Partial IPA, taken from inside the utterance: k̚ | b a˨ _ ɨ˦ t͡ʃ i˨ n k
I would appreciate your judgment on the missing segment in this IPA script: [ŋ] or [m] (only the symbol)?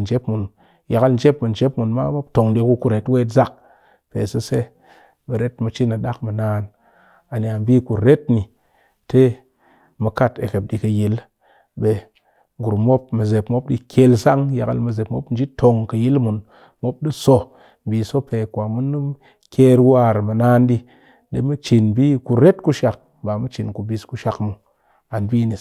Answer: m